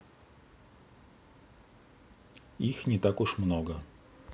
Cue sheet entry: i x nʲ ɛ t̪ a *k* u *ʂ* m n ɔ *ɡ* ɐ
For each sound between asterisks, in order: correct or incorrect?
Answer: correct, correct, correct

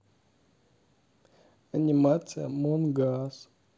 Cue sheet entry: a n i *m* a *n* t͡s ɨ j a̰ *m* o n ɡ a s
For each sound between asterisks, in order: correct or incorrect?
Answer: correct, incorrect: none, correct

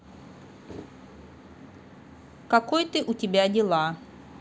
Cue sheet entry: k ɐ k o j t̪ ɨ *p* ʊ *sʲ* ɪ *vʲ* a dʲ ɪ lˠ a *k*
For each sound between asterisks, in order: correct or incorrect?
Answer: incorrect: ʔ, incorrect: tʲ, incorrect: bʲ, incorrect: none

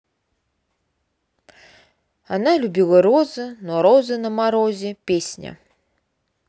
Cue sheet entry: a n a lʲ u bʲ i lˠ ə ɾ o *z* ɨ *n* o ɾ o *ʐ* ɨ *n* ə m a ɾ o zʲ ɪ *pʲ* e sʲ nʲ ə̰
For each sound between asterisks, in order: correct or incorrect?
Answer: correct, correct, incorrect: z, correct, correct

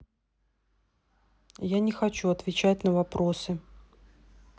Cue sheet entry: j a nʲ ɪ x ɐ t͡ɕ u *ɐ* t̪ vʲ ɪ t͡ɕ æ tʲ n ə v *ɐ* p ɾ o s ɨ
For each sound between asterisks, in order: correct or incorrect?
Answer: correct, correct

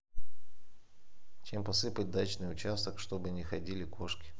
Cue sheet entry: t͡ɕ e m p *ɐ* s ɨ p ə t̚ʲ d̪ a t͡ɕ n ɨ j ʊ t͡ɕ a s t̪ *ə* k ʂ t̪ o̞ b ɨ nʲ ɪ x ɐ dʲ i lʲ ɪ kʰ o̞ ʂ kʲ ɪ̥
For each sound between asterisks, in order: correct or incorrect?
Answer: correct, correct

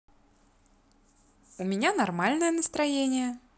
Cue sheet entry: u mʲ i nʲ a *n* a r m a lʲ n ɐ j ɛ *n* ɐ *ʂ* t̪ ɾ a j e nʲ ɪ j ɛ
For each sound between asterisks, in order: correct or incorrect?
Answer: correct, correct, incorrect: s

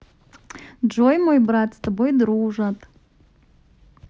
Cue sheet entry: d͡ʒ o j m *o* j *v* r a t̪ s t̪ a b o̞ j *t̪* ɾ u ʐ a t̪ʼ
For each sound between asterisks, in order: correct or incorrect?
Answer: correct, incorrect: b, incorrect: d̪

